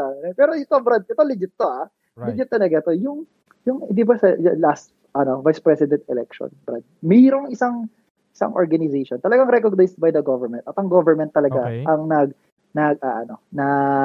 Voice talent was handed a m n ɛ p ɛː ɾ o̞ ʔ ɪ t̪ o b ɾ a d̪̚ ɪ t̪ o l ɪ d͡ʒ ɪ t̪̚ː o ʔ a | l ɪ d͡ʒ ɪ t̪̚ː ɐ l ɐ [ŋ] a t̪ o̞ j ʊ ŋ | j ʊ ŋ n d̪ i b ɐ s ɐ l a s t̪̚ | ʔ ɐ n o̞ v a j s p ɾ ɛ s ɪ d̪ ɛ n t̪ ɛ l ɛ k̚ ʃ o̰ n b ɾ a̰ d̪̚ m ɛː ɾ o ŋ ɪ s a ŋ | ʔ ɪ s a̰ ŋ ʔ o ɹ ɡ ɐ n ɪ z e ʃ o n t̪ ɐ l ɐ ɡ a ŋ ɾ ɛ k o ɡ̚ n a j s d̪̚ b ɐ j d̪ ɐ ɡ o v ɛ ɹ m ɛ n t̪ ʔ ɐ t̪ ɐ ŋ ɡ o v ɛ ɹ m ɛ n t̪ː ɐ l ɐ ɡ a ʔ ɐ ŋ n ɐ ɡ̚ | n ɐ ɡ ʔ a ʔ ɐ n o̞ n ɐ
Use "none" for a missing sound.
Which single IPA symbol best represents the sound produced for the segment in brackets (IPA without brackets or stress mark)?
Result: ɡ